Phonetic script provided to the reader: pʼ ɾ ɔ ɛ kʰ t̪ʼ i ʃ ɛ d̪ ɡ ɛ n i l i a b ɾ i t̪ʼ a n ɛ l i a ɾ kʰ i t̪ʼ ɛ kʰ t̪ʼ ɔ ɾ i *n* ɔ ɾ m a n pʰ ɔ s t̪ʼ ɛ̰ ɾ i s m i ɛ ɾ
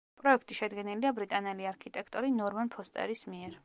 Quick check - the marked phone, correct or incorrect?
correct